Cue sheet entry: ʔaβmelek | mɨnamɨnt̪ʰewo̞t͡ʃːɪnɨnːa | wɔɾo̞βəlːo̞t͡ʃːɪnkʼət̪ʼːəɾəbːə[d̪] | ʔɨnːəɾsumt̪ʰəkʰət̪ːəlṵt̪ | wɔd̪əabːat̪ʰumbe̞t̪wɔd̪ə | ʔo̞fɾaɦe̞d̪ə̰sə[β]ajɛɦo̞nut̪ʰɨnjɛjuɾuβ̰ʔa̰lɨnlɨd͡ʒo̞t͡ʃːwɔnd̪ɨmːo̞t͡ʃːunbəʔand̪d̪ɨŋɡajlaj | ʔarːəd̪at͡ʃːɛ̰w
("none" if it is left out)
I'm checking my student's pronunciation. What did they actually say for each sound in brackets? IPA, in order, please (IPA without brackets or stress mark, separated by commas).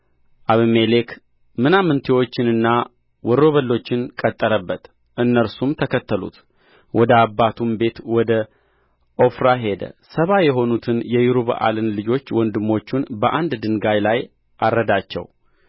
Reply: t̪, β